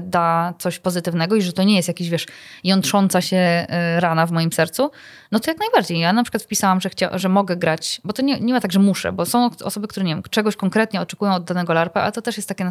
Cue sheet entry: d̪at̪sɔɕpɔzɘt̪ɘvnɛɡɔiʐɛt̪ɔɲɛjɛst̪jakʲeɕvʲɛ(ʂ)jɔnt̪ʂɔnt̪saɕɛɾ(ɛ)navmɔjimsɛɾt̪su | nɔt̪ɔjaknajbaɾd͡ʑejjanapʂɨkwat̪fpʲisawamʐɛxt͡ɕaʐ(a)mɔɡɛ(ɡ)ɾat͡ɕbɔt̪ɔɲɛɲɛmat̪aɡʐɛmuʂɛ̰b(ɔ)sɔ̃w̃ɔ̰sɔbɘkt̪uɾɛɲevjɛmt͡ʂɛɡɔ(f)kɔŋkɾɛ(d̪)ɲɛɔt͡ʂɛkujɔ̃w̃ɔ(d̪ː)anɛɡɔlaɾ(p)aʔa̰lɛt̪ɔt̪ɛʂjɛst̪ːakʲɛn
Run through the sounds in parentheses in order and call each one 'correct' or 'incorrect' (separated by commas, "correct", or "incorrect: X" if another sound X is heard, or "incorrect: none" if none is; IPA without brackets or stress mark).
correct, incorrect: a, incorrect: ɛ, correct, correct, incorrect: ɕ, incorrect: t̪, correct, correct